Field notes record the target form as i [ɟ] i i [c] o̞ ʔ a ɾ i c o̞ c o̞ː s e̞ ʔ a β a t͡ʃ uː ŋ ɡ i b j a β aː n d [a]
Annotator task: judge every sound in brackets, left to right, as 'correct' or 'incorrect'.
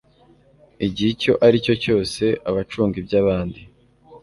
correct, correct, incorrect: i

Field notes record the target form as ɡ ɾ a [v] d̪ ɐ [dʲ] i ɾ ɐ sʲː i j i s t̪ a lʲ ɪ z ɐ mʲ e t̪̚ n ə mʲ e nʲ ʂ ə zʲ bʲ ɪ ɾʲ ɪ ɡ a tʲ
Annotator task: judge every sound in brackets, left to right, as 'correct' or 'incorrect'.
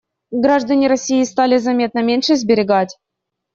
incorrect: ʐ, incorrect: nʲ

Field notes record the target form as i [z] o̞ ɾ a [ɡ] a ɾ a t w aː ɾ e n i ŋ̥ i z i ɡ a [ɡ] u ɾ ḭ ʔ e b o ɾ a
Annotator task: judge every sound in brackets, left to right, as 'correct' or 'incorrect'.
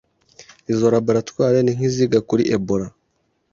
correct, incorrect: b, incorrect: k

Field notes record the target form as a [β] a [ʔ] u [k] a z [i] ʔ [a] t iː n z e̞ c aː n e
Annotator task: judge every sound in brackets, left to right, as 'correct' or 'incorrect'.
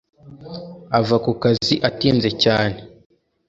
incorrect: v, incorrect: k, correct, correct, correct

